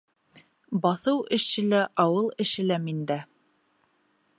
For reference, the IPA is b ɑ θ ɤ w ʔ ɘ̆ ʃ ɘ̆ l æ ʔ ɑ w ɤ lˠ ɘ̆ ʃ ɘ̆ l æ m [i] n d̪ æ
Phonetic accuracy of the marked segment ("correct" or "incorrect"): correct